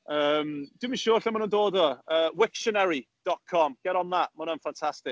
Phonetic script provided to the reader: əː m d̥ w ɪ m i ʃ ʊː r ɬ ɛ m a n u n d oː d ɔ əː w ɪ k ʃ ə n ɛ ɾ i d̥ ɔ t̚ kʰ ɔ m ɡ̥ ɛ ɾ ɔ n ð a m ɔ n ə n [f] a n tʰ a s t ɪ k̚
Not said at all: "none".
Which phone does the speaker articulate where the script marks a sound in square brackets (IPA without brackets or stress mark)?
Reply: f